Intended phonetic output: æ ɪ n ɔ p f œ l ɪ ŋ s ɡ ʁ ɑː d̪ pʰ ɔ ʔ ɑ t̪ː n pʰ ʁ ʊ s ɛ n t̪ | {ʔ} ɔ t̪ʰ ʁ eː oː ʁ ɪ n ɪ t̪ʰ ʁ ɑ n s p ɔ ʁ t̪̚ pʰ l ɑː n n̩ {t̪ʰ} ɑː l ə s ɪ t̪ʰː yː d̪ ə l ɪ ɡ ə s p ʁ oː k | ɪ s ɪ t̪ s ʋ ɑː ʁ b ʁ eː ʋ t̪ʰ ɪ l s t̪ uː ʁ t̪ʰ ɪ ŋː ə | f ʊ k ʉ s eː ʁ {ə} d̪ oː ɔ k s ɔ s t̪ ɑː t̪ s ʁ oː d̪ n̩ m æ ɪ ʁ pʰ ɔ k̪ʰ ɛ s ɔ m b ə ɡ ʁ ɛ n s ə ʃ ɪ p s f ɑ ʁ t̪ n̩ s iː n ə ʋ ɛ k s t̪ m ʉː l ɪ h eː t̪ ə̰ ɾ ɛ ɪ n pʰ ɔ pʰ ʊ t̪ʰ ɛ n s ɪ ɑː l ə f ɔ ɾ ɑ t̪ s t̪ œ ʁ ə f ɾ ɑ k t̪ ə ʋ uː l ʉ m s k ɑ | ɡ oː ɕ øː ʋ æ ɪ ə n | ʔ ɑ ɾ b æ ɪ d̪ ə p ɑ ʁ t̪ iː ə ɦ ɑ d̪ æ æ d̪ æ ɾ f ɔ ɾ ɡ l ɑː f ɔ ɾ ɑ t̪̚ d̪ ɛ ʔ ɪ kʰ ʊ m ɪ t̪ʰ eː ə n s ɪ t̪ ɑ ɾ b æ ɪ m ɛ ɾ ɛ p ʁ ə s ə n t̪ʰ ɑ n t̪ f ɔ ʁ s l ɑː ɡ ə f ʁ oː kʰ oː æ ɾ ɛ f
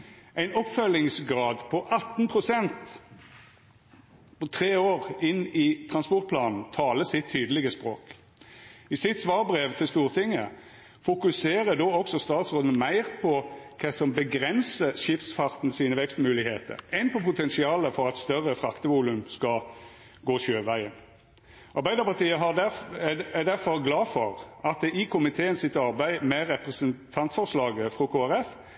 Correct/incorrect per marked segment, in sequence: incorrect: p, correct, correct

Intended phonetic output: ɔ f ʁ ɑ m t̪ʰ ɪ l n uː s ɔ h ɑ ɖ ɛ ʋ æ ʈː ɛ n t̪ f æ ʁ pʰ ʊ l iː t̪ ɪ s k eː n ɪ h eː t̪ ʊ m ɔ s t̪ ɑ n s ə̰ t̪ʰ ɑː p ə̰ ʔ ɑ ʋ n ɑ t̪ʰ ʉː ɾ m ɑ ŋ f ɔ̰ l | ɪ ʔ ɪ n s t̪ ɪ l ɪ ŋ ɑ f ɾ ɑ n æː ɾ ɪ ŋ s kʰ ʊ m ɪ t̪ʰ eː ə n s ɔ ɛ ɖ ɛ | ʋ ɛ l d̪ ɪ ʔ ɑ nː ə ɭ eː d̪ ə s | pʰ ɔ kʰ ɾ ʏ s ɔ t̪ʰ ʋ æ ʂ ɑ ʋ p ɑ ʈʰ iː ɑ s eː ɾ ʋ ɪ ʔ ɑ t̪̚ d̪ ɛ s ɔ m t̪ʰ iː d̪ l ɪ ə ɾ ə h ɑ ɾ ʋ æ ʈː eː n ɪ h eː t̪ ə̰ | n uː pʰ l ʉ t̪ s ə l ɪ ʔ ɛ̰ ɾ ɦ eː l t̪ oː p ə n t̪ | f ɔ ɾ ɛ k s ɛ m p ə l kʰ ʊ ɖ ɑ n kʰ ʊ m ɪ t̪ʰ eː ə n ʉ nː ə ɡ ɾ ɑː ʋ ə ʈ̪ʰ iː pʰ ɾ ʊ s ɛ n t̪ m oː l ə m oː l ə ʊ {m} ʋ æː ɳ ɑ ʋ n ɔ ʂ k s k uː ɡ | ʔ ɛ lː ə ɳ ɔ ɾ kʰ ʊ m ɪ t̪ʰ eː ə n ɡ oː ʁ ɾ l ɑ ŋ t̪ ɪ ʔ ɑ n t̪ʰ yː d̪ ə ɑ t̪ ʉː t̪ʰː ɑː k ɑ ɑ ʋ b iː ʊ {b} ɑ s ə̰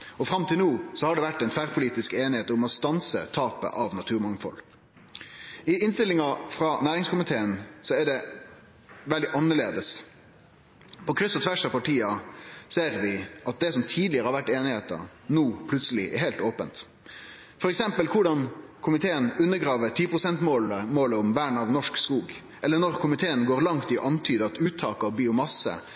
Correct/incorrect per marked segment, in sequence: correct, incorrect: m

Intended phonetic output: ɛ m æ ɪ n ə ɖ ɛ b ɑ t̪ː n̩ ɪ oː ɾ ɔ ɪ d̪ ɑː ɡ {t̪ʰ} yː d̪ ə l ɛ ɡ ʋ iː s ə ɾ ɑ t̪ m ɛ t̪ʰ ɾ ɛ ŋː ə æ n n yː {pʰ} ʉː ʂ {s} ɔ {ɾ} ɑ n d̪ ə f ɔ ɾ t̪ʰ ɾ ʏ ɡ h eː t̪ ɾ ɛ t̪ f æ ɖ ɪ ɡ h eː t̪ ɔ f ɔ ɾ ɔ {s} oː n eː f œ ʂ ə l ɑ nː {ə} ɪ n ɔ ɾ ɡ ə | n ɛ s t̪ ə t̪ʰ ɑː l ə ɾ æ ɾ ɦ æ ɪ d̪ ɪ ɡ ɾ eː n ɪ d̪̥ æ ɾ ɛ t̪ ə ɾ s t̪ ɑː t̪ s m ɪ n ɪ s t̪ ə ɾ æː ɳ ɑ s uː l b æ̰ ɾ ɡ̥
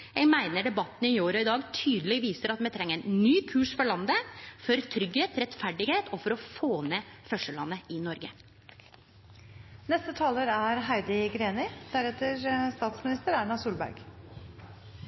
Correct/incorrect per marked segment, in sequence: correct, incorrect: kʰ, incorrect: f, incorrect: ɭ, incorrect: f, correct

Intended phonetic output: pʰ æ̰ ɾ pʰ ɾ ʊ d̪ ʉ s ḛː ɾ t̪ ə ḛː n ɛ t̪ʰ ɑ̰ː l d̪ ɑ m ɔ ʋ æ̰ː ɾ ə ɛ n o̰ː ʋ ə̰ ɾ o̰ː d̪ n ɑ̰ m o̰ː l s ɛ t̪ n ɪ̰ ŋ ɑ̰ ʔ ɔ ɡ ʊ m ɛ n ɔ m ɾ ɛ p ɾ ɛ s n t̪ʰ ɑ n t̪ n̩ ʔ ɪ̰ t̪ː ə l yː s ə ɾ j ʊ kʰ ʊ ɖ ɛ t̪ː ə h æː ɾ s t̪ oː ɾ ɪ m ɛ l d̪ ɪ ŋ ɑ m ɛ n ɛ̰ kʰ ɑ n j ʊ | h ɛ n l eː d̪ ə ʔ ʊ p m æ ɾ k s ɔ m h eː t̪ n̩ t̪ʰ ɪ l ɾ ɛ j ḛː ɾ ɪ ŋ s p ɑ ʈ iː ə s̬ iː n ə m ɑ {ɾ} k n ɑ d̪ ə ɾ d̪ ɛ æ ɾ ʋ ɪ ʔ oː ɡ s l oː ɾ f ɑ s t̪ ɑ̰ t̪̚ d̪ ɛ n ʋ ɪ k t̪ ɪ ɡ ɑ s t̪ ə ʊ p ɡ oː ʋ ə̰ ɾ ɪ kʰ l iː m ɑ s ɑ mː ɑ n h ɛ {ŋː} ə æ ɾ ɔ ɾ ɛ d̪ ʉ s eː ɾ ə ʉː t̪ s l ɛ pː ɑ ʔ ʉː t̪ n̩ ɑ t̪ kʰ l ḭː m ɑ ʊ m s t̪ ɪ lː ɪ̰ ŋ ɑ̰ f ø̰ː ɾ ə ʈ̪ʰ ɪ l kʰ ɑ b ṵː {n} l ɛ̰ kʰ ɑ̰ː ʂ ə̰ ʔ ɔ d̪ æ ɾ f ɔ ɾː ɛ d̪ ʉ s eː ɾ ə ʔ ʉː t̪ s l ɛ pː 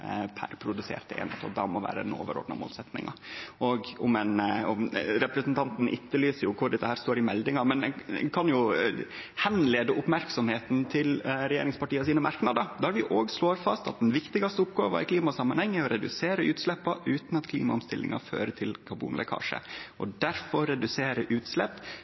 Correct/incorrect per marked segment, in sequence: correct, correct, correct

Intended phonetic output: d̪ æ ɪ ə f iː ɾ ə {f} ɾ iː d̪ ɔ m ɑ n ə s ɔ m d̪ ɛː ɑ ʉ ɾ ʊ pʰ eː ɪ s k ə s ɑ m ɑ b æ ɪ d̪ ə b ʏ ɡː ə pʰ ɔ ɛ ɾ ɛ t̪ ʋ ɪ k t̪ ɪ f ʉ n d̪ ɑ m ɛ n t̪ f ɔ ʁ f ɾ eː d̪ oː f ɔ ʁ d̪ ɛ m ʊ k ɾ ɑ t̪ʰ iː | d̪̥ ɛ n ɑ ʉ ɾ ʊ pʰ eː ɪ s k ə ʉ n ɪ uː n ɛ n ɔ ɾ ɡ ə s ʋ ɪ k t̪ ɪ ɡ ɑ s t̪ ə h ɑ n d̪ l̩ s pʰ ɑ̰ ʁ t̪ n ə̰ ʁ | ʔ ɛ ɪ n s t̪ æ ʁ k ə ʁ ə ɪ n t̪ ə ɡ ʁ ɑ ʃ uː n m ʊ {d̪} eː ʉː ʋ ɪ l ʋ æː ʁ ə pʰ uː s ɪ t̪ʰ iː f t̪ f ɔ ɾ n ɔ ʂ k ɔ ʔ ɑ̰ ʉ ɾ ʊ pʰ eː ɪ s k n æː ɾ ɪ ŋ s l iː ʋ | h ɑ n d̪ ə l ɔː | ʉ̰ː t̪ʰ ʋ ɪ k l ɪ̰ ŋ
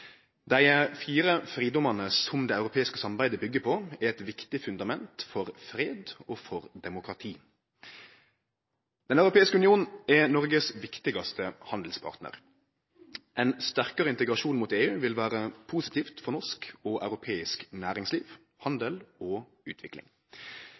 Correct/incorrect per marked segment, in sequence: correct, incorrect: t̪

